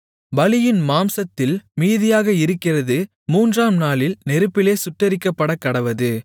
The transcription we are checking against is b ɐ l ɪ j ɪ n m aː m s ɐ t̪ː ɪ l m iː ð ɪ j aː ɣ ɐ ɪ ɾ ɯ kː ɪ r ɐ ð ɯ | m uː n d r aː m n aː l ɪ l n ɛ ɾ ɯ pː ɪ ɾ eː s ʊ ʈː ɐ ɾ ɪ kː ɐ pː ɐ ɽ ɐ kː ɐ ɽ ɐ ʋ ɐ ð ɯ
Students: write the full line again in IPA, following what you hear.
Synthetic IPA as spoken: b ɐ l ɪ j ɪ n m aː m s ɐ t̪ː ɪ l m iː ð ɪ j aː ɣ ɐ ɪ ɾ ɯ kː ɪ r ɐ ð ɯ | m uː n d r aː m n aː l ɪ l n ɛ ɾ ɯ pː ɪ l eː s ʊ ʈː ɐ ɾ ɪ kː ɐ pː ɐ ɽ ɐ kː ɐ ɽ ɐ ʋ ɐ ð ɯ